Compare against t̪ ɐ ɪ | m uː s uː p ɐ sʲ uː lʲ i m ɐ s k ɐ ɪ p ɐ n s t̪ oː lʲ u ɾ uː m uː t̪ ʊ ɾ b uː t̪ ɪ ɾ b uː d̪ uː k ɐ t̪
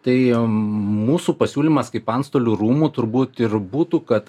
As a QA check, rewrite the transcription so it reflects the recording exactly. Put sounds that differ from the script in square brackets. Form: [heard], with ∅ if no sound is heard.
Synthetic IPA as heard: t̪ ɐ ɪ | m uː s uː p ɐ sʲ uː lʲ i m ɐ s k ɐ ɪ p ɐ n s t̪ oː lʲ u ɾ uː m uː t̪ ʊ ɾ b uː t̪ ɪ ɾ b uː [t̪] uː k ɐ t̪